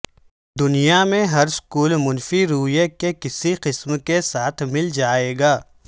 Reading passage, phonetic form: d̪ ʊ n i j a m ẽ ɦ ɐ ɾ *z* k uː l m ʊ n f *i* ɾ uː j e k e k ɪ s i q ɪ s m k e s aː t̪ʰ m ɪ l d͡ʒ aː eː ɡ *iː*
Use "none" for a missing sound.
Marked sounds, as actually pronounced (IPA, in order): s, i, aː

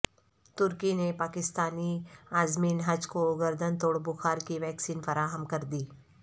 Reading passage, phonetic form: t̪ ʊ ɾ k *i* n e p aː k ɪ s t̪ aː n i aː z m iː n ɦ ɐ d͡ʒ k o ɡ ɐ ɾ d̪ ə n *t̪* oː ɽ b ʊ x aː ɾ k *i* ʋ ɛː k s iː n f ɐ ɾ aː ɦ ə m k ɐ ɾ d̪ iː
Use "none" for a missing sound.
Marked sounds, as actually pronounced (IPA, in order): i, t̪, i

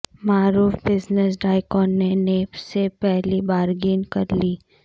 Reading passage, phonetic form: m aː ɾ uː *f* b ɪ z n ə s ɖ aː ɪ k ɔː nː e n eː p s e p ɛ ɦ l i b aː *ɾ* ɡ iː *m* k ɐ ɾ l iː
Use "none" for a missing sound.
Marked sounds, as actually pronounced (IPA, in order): f, ɾ, n

